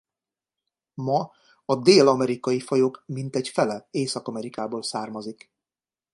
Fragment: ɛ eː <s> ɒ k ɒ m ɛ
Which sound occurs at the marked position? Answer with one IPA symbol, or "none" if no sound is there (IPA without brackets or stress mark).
s